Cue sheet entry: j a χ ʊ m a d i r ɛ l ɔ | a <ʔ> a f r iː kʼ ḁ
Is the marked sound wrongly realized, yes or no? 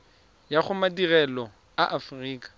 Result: no